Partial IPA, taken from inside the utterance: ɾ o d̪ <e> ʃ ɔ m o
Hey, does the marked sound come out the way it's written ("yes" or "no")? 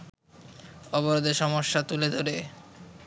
yes